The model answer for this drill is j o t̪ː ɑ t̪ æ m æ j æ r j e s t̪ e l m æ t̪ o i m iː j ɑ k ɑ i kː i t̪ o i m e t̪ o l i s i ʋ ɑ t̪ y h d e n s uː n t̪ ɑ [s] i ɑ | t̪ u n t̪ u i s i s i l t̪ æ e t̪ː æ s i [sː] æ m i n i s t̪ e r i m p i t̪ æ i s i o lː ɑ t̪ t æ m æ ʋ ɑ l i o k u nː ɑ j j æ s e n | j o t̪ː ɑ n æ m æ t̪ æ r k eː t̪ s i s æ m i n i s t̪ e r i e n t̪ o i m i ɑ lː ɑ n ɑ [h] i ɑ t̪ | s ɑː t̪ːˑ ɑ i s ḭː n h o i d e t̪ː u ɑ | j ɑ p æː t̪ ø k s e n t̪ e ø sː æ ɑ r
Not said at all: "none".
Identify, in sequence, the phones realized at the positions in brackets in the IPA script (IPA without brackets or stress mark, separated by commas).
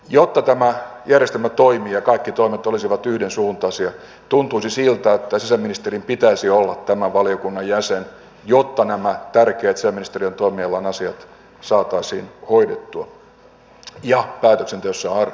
s, s, s